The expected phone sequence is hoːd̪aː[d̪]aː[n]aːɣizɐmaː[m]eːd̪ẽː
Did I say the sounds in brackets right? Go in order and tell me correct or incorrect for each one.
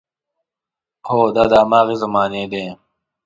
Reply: correct, incorrect, incorrect

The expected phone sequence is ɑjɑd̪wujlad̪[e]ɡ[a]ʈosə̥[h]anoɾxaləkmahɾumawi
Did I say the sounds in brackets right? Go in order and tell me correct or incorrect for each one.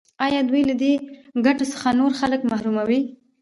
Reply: correct, correct, incorrect

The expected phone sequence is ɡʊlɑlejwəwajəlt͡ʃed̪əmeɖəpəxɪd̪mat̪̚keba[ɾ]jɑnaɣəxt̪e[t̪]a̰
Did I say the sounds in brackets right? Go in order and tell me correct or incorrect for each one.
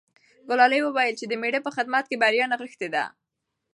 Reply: correct, incorrect

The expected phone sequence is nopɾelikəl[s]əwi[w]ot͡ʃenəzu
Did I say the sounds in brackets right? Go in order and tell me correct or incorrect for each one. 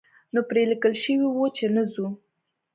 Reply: incorrect, correct

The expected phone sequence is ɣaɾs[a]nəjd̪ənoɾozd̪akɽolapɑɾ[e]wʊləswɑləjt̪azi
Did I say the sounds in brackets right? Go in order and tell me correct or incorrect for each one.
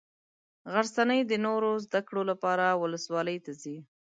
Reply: correct, incorrect

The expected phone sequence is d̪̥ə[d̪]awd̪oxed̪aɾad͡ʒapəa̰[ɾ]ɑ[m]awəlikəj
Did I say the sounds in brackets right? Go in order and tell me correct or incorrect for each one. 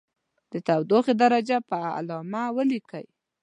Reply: incorrect, incorrect, correct

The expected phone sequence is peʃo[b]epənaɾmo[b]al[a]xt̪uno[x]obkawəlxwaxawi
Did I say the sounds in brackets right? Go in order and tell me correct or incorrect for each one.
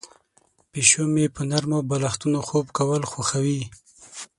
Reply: incorrect, correct, correct, correct

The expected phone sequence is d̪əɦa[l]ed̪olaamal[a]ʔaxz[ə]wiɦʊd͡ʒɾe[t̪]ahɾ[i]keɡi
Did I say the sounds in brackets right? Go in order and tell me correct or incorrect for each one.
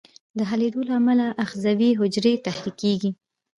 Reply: correct, correct, incorrect, correct, correct

